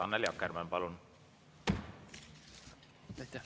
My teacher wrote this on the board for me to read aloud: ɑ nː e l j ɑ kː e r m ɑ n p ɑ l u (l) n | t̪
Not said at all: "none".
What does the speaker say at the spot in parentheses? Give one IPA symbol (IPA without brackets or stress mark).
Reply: none